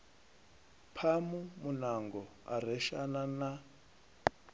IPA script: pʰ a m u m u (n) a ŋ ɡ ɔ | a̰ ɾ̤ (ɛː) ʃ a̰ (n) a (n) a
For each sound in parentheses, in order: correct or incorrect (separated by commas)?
correct, incorrect, correct, correct